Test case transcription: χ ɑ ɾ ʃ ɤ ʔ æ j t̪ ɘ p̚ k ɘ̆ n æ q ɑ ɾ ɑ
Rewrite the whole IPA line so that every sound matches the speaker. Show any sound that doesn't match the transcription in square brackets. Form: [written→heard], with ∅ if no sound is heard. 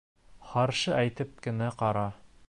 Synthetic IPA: χ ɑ ɾ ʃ ɤ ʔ æ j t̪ ɘ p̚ k ɘ̆ n æ q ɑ ɾ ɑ